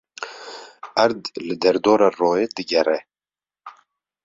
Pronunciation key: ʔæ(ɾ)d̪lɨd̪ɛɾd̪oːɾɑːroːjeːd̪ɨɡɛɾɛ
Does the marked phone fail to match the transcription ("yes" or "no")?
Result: no